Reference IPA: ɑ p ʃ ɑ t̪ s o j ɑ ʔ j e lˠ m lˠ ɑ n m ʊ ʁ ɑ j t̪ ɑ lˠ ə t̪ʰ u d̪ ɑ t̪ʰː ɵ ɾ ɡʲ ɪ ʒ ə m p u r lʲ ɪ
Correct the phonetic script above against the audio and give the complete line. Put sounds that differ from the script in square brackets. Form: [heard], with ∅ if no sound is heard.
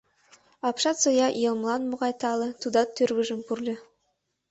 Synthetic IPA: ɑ p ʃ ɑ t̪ s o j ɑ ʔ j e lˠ m lˠ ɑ n m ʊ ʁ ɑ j t̪ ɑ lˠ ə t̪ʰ u d̪ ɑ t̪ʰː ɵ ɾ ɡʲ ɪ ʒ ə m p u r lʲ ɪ